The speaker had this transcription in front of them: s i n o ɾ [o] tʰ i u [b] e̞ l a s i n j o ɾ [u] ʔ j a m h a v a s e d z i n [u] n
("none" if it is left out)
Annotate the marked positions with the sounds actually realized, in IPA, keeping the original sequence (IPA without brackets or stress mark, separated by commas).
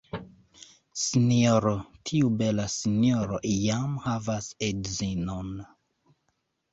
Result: o, b, o, o